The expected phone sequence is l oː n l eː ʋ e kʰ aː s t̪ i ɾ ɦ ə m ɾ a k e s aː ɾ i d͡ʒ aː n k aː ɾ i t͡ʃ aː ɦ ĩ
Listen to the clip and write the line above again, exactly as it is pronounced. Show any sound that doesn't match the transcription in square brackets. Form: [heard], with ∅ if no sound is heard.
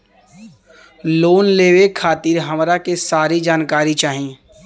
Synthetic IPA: l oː n l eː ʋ e kʰ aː [∅] t̪ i ɾ ɦ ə m ɾ a k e s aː ɾ i d͡ʒ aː n k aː ɾ i t͡ʃ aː ɦ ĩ